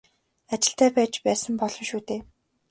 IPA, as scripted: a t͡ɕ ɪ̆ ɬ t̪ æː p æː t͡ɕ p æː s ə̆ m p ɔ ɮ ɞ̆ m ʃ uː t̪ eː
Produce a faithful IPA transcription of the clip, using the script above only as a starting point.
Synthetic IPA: a t͡ɕ ɪ̆ ɬ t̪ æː p æː t͡ɕ p æː s ə̆ m p ɔ ɮ ɞ̆ m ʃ uː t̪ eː